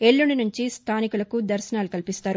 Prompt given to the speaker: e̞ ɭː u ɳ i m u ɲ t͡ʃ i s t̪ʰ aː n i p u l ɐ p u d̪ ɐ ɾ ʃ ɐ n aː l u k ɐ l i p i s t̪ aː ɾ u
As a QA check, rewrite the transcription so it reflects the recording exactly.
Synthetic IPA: e̞ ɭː u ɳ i n u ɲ t͡ʃ i s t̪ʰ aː n i k u l ɐ k u d̪ ɐ ɾ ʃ ɐ n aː l u k ɐ l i p i s t̪ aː ɾ u